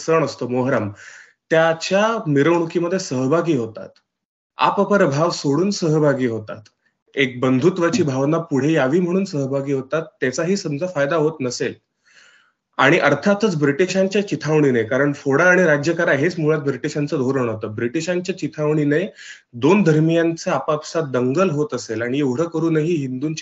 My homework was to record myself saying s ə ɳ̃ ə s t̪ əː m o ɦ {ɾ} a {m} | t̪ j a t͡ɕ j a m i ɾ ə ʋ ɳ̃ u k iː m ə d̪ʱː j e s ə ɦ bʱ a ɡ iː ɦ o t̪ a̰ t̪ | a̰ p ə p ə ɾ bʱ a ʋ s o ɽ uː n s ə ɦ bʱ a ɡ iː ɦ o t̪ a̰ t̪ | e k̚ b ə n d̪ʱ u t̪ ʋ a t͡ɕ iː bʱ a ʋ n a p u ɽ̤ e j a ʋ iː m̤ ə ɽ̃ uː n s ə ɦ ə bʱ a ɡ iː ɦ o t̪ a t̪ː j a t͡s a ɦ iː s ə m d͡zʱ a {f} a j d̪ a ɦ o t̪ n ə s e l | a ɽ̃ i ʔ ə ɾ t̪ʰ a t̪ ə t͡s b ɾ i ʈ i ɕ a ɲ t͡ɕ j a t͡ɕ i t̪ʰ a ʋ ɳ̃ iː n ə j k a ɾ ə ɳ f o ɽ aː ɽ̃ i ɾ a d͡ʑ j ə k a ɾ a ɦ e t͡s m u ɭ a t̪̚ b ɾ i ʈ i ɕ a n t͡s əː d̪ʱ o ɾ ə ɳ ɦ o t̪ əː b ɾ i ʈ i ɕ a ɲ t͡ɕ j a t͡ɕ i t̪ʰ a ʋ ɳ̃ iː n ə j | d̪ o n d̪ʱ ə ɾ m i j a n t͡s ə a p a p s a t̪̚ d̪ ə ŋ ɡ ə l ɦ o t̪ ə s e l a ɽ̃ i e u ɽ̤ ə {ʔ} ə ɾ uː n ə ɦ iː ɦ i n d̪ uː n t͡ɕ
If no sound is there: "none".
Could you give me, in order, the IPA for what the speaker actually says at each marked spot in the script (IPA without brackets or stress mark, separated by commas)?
ɾ, m, f, k